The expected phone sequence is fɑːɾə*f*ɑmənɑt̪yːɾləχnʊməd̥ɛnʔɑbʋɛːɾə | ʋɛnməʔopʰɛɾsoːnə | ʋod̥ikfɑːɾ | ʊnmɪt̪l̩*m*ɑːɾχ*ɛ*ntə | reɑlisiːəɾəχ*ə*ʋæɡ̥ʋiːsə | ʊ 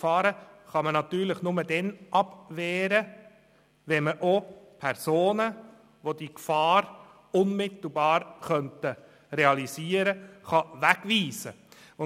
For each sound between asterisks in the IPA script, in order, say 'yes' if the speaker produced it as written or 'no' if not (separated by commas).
no, no, no, no